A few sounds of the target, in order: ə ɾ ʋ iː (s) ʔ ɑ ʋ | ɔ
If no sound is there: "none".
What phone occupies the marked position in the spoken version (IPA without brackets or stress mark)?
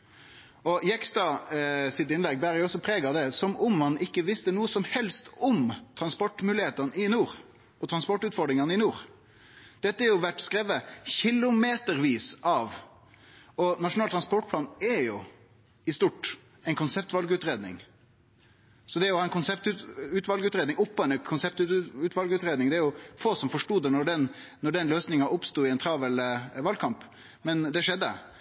s